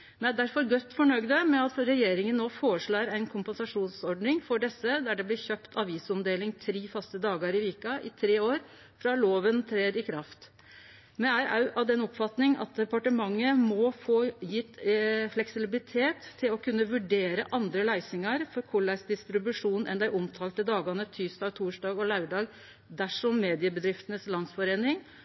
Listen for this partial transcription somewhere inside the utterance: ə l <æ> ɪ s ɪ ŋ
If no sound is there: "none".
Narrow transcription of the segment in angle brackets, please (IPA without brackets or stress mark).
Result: æ